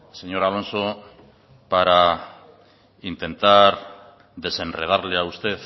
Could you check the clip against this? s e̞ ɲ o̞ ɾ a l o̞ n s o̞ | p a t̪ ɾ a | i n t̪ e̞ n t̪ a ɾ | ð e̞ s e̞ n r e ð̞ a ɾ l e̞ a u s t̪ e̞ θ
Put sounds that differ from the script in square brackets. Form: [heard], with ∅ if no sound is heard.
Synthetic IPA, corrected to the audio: s e̞ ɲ o̞ ɾ a l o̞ n s o̞ | p a [∅] ɾ a | i n t̪ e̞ n t̪ a ɾ | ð e̞ s e̞ n r e ð̞ a ɾ l e̞ a u s t̪ e̞ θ